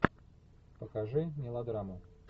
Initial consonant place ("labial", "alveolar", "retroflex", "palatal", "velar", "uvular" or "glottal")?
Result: labial